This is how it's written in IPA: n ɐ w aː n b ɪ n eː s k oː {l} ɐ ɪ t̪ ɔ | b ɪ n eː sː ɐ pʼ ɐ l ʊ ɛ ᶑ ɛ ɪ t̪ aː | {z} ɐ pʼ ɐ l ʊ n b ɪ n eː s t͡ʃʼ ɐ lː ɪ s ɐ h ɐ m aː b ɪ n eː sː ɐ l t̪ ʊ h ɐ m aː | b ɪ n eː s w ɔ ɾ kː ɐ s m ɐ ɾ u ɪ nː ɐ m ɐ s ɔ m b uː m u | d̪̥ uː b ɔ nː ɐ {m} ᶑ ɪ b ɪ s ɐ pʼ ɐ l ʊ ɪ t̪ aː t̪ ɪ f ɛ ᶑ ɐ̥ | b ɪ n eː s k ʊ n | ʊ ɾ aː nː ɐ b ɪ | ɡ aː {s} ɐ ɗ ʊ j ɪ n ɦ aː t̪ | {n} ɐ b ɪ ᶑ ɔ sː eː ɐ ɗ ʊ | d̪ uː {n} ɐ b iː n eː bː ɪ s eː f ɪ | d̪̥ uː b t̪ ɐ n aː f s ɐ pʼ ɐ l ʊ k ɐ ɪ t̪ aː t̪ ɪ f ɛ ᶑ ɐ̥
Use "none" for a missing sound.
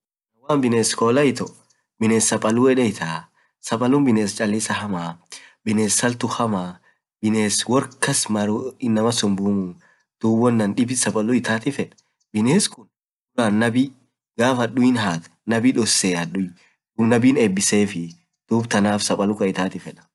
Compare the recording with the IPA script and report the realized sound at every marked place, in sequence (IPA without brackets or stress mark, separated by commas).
l, s, n, f, n, n